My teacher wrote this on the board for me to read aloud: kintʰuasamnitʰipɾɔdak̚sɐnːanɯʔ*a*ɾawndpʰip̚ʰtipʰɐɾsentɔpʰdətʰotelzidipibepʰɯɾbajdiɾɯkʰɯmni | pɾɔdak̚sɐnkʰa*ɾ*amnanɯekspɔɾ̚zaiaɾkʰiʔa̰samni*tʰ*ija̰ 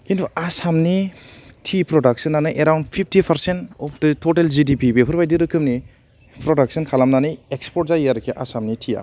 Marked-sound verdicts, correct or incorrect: incorrect: e, incorrect: l, correct

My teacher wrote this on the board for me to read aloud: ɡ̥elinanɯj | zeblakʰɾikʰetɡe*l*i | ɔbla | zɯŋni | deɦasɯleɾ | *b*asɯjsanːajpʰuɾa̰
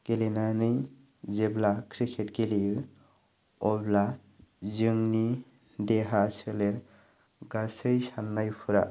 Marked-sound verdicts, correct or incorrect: correct, incorrect: ɡ

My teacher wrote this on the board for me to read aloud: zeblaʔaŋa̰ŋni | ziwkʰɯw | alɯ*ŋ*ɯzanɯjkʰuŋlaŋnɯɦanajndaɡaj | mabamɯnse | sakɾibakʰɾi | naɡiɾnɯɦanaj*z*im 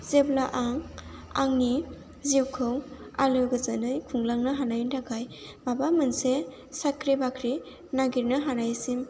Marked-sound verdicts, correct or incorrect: incorrect: ɡ, incorrect: s

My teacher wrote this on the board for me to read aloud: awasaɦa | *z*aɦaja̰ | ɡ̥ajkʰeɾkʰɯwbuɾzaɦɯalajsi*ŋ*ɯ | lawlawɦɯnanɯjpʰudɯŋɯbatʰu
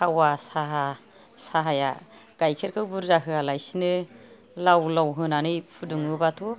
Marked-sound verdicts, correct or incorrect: incorrect: s, incorrect: n

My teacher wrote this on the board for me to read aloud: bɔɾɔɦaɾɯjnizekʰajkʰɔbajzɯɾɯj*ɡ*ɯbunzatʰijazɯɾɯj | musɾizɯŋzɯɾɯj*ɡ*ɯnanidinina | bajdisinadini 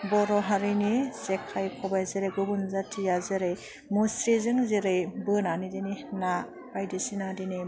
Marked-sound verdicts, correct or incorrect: correct, incorrect: b

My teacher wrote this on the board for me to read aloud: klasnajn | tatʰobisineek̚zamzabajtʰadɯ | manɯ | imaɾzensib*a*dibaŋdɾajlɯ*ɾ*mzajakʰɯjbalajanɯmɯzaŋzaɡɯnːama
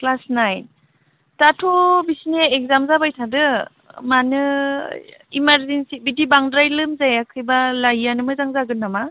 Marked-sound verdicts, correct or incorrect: incorrect: i, incorrect: none

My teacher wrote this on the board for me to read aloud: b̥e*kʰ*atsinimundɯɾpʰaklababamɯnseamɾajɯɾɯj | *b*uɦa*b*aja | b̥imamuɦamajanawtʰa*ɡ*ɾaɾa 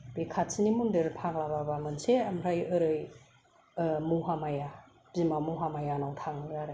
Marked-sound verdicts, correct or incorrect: correct, incorrect: m, incorrect: m, incorrect: ŋ

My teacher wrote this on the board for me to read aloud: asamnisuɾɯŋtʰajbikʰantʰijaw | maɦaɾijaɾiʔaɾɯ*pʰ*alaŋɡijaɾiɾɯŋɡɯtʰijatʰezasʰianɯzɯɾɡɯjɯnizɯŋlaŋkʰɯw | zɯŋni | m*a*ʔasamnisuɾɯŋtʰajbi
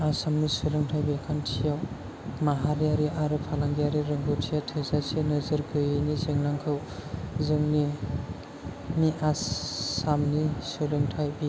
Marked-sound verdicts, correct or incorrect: correct, incorrect: i

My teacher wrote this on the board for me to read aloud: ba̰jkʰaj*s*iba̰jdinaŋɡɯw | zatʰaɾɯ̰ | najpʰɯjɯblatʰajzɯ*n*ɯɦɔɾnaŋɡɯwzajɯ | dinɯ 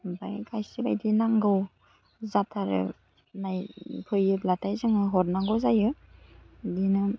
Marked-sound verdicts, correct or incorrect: correct, incorrect: ŋ

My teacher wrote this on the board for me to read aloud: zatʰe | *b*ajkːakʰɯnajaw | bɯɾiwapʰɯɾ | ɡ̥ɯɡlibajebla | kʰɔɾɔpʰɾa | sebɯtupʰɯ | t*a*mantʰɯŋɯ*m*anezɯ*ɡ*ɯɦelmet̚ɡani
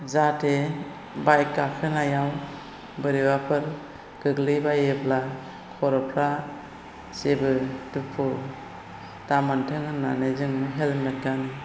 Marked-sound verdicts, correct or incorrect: correct, correct, incorrect: n, incorrect: ŋ

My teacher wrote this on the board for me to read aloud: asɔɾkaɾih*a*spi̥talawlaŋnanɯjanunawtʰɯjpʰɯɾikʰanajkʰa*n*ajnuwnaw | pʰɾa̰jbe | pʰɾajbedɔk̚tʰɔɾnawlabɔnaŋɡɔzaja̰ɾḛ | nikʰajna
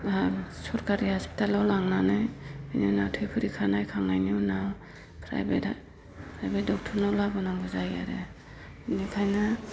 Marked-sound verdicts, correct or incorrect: correct, incorrect: ŋ

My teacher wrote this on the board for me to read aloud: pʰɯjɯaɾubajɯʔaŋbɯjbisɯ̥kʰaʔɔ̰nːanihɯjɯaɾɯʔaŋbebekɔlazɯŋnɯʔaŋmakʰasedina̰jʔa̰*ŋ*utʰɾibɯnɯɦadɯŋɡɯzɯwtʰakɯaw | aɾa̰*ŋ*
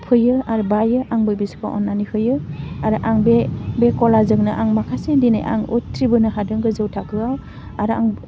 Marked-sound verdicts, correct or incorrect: correct, correct

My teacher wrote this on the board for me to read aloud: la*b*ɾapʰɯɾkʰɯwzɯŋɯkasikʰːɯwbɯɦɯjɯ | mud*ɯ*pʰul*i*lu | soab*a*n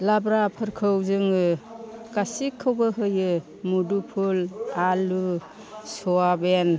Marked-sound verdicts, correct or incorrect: correct, incorrect: u, incorrect: a, incorrect: e

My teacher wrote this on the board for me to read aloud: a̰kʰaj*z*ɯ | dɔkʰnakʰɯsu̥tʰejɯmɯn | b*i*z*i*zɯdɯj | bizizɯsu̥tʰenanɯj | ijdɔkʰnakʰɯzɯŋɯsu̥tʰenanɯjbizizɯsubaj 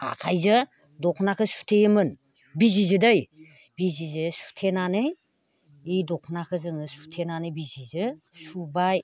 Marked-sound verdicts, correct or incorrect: correct, correct, correct

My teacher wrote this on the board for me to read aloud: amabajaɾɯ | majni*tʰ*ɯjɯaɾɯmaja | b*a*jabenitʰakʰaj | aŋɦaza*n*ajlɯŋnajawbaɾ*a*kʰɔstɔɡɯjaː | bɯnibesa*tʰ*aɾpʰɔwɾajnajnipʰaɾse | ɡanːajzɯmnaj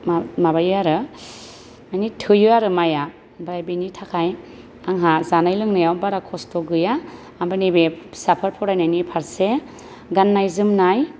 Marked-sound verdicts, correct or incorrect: correct, correct, correct, correct, incorrect: pʰ

